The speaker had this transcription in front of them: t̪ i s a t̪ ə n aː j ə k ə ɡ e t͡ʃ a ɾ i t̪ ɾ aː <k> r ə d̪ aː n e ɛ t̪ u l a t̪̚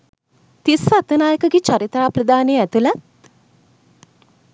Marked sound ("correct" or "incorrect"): incorrect